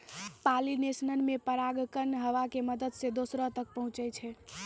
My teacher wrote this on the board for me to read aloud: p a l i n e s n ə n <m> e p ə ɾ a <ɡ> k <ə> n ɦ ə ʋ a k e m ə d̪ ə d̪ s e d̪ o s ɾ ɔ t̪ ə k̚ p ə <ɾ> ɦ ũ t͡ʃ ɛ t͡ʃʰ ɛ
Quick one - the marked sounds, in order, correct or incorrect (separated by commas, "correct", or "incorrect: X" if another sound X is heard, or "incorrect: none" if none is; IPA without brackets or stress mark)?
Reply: correct, correct, correct, incorrect: none